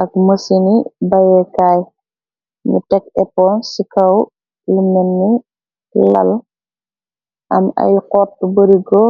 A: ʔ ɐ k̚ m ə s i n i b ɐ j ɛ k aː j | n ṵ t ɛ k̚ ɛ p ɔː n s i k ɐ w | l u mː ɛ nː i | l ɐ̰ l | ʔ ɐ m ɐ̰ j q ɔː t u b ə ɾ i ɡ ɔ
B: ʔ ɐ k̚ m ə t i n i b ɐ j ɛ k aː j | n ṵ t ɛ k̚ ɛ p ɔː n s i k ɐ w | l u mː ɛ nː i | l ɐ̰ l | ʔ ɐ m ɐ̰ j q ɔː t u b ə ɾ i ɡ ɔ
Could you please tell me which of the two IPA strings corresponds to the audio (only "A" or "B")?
A